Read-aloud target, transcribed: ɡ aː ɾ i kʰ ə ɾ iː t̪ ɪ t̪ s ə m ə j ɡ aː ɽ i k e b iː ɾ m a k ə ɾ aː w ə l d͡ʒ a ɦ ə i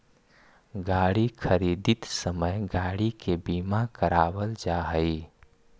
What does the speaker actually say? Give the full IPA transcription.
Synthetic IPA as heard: ɡ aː ɽ i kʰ ə ɾ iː d̪ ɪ t̪ s ə m ə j ɡ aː ɽ i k e b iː m a k ə ɾ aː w ə l d͡ʒ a ɦ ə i